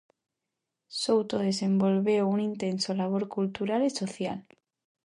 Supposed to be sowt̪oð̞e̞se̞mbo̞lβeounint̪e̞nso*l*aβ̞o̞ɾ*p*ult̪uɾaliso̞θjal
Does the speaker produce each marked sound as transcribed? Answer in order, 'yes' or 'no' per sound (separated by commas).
yes, no